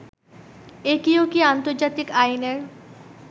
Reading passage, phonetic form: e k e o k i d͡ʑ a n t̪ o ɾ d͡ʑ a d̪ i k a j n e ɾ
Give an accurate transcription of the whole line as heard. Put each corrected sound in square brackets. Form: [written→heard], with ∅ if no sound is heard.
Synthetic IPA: e k [e→i] o k i [d͡ʑ→∅] a n t̪ o ɾ d͡ʑ a [d̪→t̪] i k a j n e ɾ